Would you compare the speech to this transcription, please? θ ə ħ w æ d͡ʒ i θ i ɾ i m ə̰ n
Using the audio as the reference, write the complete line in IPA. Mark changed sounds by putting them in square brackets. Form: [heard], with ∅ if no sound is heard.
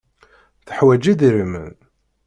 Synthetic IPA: θ ə ħ w æ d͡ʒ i [ð] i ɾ i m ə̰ n